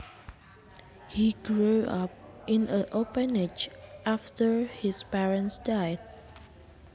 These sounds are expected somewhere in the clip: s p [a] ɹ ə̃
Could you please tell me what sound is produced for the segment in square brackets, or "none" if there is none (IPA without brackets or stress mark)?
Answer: ɛ